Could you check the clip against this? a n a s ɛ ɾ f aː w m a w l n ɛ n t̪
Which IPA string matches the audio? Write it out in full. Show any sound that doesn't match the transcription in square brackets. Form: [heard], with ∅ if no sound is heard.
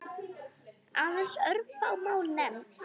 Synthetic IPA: a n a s [œ] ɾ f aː w m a w l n ɛ [m] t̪

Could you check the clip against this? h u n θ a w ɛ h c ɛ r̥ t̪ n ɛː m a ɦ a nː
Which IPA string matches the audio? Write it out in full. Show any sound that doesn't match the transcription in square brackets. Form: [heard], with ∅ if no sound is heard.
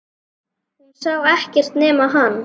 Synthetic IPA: h u n [s] a w ɛ h c ɛ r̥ t̪ n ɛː m a ɦ a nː

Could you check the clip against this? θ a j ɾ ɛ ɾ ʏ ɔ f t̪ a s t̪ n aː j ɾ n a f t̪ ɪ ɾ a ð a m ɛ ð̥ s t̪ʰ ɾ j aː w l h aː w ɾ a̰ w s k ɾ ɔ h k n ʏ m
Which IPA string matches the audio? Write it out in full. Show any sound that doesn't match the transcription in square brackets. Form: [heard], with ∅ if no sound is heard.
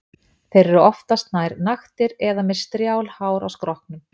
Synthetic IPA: θ [e] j ɾ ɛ ɾ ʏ ɔ f t̪ a s t̪ n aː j ɾ n a [x] t̪ ɪ ɾ [ɛ] ð a m ɛ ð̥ s [t̪] ɾ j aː w l h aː w ɾ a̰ w s k ɾ ɔ h k n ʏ m

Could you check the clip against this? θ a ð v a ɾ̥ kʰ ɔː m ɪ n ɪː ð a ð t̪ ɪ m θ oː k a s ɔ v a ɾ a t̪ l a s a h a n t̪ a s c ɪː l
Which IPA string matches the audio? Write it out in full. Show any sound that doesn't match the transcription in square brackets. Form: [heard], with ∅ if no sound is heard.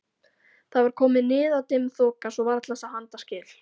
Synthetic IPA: θ a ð v a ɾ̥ kʰ ɔː m ɪ n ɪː ð a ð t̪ ɪ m θ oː k a s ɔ v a ɾ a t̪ l a s a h a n t̪ a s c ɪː l

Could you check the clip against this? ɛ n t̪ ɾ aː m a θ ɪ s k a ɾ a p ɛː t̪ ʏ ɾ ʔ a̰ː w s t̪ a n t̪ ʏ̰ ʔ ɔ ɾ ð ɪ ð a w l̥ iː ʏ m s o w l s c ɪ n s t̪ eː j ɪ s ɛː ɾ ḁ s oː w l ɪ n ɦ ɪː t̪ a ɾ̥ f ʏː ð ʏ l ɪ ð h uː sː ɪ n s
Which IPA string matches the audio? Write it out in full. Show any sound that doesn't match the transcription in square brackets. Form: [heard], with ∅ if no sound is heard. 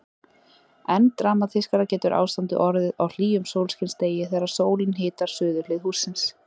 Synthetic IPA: ɛ n t̪ ɾ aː m a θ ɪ s k a ɾ a [c] ɛː t̪ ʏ ɾ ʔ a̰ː w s t̪ a n t̪ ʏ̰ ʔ ɔ ɾ ð ɪ ð a w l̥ iː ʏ m s o w l s c ɪ n s t̪ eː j ɪ [θ] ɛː ɾ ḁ s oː w l ɪ n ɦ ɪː t̪ a ɾ̥ [s] ʏː ð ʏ l ɪ ð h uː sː ɪ n s

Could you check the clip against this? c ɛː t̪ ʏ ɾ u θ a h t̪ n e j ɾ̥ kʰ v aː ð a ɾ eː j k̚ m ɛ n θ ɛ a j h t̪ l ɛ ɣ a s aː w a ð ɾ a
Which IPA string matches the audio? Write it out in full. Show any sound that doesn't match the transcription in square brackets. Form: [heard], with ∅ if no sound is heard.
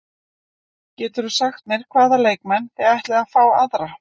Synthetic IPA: c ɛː t̪ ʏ ɾ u [s] a [x] t̪ n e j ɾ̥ kʰ v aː ð a [l] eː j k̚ m ɛ n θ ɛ a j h t̪ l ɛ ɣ a [f] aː w a ð ɾ a

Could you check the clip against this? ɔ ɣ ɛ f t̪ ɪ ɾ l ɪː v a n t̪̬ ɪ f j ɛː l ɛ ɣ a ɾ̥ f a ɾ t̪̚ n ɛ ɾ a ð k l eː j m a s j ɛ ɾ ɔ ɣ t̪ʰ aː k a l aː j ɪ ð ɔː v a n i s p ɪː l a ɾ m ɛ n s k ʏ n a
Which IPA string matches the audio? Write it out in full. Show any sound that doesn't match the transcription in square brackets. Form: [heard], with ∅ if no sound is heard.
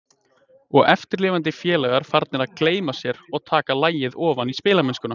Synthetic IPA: ɔ ɣ ɛ f t̪ ɪ ɾ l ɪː v a n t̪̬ ɪ f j ɛː l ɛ ɣ a ɾ̥ f a ɾ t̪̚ n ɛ ɾ a ð k l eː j m a s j ɛ ɾ ɔ ɣ t̪ʰ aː k a l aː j ɪ ð ɔː v a n i s p ɪː l a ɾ m ɛ n s k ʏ n a

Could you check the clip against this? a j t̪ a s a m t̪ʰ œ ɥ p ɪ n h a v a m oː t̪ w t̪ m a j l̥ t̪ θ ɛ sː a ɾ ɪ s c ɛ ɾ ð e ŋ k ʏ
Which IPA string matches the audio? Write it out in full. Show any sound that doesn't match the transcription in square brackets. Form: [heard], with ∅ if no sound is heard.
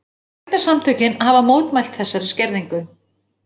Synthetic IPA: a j t̪ a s a m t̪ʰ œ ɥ [c] ɪ n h a v a m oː [∅] w t̪ m a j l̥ t̪ θ ɛ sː a ɾ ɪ s c ɛ ɾ ð [i] ŋ k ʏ

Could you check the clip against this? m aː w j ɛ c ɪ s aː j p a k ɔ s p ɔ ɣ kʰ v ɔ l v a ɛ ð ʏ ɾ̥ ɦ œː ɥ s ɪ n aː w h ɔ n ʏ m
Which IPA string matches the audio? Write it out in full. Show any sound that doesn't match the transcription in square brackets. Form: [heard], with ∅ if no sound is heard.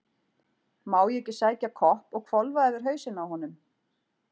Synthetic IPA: m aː w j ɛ c ɪ s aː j [c] a [kʰ] ɔ [h] p ɔ ɣ kʰ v ɔ l v a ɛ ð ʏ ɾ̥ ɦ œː ɥ s ɪ n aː w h ɔ n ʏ m

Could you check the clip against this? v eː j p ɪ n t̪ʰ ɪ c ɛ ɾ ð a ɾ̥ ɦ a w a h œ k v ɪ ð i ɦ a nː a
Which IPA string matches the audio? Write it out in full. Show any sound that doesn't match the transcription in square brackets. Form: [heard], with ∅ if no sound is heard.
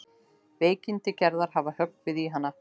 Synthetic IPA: v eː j [c] ɪ n [t̪] ɪ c ɛ ɾ ð a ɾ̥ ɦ a [v] a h œ k v ɪ ð i ɦ a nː a

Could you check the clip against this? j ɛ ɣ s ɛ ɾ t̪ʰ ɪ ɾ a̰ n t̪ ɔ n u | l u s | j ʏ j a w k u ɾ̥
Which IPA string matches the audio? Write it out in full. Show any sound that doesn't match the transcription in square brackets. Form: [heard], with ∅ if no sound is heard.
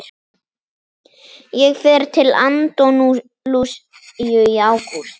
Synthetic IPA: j ɛ ɣ [f] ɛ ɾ t̪ʰ ɪ [l] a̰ n t̪ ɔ n u | l u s | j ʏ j a w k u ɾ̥

